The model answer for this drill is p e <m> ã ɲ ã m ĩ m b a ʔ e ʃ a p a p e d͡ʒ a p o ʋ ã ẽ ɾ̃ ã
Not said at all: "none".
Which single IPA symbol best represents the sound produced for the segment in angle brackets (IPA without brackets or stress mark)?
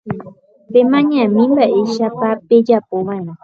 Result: m